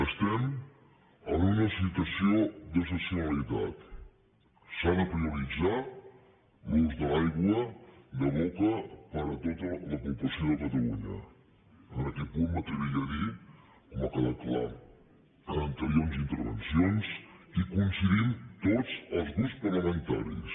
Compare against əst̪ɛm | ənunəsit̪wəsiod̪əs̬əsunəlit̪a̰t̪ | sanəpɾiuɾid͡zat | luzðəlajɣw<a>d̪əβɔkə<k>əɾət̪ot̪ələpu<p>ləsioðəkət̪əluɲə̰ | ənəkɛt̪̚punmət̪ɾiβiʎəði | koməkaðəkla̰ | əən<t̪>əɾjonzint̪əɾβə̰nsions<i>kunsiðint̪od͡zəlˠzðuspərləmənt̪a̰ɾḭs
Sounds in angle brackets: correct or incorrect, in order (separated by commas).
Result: incorrect, incorrect, correct, correct, correct